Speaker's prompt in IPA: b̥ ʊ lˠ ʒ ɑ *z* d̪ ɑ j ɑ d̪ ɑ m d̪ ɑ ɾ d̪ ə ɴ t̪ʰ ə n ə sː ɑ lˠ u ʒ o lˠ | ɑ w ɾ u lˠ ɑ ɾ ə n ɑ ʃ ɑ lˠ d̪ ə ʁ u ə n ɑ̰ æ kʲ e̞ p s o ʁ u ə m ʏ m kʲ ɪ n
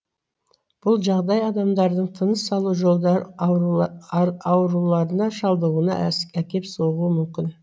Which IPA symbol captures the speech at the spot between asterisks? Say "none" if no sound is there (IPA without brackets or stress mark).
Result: ʁ